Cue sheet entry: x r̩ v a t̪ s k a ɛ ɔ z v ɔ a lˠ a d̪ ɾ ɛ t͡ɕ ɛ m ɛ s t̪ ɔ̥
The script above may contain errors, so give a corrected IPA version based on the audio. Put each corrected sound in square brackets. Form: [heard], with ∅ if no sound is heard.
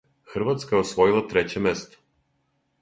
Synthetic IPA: x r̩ v a t̪ s k a ɛ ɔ [s] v ɔ [i] lˠ a [t̪] ɾ ɛ t͡ɕ ɛ m ɛ s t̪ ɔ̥